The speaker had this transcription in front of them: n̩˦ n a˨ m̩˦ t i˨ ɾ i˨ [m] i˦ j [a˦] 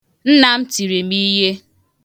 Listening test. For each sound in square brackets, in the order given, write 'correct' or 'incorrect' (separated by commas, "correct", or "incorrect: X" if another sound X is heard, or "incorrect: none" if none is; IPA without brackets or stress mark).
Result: correct, incorrect: e˦